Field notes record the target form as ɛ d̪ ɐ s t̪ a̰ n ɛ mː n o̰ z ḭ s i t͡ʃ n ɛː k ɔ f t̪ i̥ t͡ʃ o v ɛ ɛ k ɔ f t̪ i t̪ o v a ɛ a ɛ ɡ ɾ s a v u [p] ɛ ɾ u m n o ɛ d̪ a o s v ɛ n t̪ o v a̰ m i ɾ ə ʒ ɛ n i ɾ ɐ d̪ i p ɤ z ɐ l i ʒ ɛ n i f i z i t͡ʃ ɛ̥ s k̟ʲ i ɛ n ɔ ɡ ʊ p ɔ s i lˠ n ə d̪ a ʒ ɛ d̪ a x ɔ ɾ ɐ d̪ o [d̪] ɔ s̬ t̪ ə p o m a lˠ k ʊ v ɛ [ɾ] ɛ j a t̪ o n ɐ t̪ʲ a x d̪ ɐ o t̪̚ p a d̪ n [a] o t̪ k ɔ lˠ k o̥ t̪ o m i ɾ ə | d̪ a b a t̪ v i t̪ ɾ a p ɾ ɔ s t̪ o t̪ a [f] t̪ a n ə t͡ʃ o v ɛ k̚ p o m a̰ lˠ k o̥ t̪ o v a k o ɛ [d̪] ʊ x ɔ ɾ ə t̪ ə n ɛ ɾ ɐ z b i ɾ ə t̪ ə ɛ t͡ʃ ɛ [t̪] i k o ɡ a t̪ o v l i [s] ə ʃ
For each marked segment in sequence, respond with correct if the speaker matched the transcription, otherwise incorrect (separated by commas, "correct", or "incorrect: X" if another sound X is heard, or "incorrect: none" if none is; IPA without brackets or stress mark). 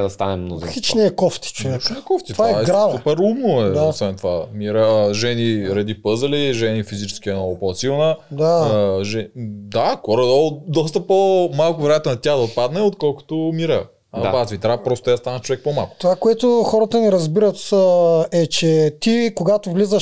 correct, correct, correct, incorrect: ɛ, incorrect: s, incorrect: t̪, correct, incorrect: z